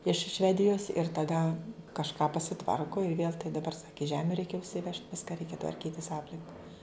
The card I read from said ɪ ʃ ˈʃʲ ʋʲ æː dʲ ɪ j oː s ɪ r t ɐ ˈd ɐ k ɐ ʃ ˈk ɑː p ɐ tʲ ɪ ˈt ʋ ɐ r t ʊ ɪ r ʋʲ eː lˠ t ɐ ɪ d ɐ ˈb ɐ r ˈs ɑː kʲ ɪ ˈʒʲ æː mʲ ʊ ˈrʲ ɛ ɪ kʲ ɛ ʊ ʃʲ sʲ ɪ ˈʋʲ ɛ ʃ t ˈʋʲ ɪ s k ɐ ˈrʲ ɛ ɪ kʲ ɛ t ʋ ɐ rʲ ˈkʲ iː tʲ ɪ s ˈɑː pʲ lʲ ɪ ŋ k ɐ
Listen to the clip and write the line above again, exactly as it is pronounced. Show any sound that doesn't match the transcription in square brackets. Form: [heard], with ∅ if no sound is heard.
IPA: ɪ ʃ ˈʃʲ ʋʲ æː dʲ ɪ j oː s ɪ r t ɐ ˈd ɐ k ɐ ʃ ˈk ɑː p ɐ [sʲ] ɪ ˈt ʋ ɐ r [k] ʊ ɪ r ʋʲ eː lˠ t ɐ ɪ d ɐ ˈb ɐ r ˈs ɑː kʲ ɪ ˈʒʲ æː mʲ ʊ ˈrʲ ɛ ɪ kʲ ɛ ʊ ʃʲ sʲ ɪ ˈʋʲ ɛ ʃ t ˈʋʲ ɪ s k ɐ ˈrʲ ɛ ɪ kʲ ɛ t ʋ ɐ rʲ ˈkʲ iː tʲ ɪ s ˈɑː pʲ lʲ ɪ ŋ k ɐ